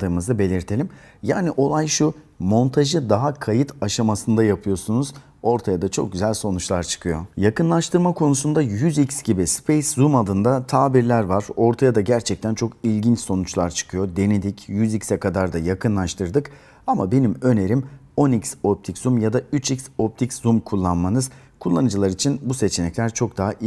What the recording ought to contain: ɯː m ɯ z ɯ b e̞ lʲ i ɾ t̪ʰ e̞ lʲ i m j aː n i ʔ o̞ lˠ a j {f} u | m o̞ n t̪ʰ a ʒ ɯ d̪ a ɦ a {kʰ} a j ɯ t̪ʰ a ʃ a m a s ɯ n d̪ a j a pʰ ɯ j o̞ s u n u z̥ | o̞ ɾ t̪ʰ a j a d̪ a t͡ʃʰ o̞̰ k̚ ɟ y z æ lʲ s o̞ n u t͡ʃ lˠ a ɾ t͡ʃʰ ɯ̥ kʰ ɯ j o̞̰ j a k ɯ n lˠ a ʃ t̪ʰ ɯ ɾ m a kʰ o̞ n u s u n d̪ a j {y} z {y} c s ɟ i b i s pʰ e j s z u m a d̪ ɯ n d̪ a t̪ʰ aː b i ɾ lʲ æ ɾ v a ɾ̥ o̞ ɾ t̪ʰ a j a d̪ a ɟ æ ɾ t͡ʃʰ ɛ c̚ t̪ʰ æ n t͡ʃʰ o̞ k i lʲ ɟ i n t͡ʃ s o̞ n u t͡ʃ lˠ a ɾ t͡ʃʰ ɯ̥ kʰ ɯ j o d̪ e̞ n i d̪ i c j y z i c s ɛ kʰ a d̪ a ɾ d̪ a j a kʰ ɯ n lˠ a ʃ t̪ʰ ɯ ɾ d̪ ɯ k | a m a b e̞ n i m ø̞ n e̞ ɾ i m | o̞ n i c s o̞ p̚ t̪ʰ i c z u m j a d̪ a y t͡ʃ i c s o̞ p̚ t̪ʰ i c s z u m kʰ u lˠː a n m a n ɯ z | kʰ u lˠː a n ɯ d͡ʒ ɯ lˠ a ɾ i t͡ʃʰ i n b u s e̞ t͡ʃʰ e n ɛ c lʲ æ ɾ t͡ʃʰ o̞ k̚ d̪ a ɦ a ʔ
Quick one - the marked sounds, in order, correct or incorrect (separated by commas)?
incorrect, correct, correct, incorrect